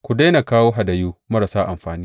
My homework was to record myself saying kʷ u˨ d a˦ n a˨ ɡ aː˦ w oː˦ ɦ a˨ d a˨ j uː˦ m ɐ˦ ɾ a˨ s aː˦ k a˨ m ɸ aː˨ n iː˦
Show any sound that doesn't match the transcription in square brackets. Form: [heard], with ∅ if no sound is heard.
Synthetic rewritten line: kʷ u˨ d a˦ n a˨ [k] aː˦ w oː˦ ɦ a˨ d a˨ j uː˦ m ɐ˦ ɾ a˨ s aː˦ [ʔ] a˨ m ɸ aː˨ n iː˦